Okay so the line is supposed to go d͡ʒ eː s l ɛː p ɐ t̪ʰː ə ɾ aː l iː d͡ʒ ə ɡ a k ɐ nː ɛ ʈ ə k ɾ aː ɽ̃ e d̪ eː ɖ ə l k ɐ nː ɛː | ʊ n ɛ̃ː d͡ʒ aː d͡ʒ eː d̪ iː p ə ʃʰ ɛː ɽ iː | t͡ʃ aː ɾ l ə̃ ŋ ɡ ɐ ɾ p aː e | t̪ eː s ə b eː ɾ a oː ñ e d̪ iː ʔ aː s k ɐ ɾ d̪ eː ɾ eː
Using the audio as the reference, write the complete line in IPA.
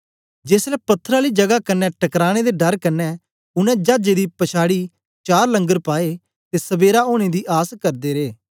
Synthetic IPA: d͡ʒ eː s l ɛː p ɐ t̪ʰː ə ɾ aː l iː d͡ʒ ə ɡ a k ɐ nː ɛ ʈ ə k ɾ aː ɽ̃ e d̪ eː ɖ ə ɾ k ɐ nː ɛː | ʊ n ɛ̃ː d͡ʒ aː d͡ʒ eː d̪ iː p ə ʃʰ aː ɽ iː | t͡ʃ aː ɾ l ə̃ ŋ ɡ ə ɾ p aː e | t̪ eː s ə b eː ɾ a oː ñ e d̪ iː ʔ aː s k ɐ ɾ d̪ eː ɾ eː